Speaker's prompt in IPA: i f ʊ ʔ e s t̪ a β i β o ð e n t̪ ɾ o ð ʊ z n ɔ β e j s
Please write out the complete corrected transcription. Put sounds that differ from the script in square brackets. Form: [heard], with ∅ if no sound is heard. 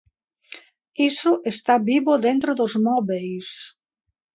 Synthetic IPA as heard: i [s] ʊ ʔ e s t̪ a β i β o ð e n t̪ ɾ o ð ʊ z [m] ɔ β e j s